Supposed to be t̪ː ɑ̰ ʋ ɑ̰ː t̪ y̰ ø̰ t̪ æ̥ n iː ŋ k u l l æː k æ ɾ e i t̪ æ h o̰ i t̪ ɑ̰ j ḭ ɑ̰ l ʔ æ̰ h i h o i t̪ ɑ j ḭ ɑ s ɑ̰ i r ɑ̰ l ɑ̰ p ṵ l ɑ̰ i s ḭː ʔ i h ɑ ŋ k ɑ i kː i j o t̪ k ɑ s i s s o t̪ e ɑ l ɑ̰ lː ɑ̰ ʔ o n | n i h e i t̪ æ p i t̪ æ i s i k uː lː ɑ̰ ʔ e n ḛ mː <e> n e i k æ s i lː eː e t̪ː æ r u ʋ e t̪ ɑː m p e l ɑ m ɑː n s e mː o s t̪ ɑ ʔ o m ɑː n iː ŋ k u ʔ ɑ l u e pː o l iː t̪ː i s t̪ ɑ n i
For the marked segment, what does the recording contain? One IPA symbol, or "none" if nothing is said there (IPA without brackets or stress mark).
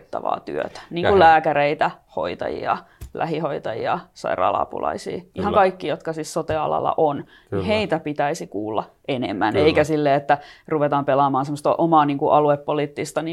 æ